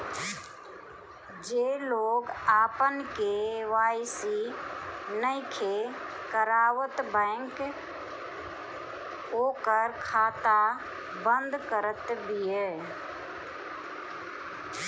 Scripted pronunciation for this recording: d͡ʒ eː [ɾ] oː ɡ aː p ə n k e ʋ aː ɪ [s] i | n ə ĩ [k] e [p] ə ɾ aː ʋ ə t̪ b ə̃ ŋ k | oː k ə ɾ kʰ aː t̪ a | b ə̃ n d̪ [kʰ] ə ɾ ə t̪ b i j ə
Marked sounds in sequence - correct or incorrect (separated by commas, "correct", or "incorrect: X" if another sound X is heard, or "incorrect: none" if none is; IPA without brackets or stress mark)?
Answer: incorrect: l, correct, incorrect: kʰ, incorrect: k, incorrect: k